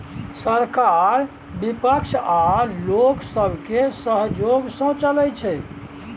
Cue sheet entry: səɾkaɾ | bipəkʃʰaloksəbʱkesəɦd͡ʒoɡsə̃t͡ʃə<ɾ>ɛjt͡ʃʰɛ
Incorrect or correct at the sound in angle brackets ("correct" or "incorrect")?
incorrect